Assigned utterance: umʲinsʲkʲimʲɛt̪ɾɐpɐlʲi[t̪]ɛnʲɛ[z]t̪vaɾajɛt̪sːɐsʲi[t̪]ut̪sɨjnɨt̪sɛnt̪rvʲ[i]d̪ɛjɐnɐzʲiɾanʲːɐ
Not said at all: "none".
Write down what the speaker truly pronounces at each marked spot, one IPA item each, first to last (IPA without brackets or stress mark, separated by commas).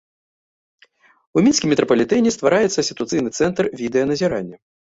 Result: t̪, s, t̪, i